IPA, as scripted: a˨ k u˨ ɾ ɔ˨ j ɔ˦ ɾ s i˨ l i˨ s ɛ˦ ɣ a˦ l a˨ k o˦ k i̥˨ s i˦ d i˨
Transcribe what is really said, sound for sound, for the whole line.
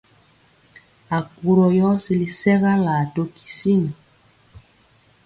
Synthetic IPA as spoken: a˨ k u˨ ɾ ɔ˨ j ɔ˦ s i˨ l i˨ s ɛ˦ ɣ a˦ l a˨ t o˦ k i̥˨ s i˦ n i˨